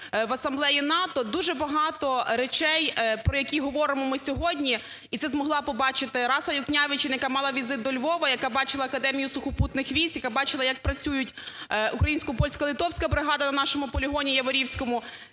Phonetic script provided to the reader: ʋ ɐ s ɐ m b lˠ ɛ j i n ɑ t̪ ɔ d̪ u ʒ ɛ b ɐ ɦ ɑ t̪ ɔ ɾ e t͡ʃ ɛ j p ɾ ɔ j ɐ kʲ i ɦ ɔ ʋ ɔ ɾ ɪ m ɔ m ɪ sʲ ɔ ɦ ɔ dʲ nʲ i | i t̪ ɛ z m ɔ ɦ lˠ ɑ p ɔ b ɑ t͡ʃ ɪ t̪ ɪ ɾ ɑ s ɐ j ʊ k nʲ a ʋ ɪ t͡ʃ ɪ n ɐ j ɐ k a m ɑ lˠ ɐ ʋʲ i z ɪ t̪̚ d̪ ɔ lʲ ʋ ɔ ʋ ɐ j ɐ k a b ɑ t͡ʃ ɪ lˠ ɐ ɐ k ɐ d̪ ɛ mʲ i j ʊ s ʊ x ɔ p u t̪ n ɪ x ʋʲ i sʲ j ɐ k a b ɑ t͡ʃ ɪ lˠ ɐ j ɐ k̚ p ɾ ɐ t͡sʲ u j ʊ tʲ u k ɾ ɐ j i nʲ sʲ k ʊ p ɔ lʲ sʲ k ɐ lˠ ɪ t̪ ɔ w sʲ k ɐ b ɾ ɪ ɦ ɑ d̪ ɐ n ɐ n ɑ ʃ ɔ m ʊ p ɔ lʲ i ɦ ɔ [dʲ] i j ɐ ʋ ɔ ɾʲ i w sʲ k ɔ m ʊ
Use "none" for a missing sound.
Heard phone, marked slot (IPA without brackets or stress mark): nʲ